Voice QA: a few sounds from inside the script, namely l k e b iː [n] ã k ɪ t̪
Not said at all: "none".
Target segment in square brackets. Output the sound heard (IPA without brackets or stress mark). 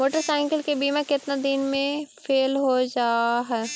m